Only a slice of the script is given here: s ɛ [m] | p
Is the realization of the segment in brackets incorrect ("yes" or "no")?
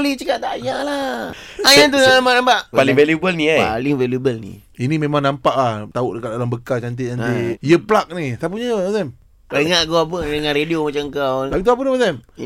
no